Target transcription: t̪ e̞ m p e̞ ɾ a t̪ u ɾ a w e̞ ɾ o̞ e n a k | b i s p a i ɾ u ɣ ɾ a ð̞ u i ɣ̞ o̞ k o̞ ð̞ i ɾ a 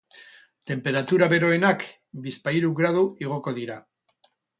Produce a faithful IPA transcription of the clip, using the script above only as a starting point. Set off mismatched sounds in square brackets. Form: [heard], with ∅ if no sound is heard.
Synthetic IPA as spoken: t̪ e̞ m p e̞ ɾ a t̪ u ɾ a [β] e̞ ɾ o̞ e n a k | b i s p a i ɾ u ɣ ɾ a ð̞ u i ɣ̞ o̞ k o̞ ð̞ i ɾ a